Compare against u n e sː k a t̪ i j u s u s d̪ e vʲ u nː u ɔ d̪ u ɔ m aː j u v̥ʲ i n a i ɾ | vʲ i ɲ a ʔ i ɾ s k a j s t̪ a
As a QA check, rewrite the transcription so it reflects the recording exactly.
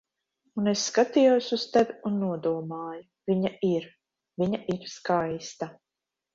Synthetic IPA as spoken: u n e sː k a t̪ i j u s u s t̪ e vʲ u nː u ɔ d̪ u ɔ m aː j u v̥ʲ i ɲ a i ɾ | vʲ i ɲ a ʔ i ɾ s k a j s t̪ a